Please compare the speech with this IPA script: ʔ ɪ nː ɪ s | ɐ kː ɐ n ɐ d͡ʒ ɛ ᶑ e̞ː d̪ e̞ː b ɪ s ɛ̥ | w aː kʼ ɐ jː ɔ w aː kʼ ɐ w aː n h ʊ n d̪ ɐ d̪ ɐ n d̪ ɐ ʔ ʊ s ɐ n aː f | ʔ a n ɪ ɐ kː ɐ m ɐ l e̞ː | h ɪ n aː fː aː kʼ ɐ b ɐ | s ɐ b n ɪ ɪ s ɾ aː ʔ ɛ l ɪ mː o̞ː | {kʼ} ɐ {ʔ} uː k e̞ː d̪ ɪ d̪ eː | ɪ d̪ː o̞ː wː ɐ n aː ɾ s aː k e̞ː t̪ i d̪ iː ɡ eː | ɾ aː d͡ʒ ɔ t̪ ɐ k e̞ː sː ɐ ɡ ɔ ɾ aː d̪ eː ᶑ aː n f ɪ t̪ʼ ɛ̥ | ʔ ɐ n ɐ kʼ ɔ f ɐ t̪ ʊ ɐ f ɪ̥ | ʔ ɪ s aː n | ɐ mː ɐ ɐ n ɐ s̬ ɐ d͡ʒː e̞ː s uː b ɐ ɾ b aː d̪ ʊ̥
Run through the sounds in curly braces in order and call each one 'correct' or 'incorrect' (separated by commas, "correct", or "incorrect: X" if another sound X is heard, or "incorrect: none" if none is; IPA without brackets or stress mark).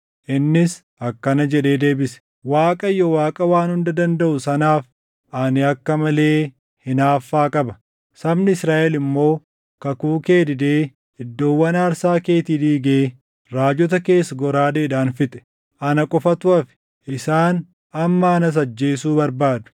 incorrect: k, incorrect: k